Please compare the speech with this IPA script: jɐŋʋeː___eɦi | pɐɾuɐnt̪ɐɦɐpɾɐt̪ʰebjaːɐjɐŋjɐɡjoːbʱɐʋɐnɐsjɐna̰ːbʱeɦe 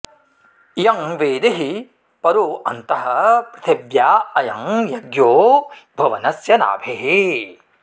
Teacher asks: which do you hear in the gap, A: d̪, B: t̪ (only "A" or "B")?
A